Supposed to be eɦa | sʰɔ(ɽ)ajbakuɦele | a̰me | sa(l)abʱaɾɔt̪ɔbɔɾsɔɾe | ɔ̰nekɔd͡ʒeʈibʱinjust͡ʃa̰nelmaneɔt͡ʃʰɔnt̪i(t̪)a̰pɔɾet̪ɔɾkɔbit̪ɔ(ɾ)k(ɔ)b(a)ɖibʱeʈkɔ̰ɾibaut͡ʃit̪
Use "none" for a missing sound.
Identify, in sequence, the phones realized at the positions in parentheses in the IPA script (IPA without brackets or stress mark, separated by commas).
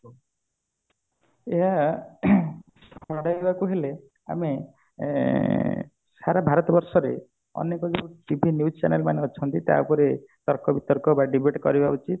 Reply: ɽ, ɾ, t̪, ɾ, ɔ, a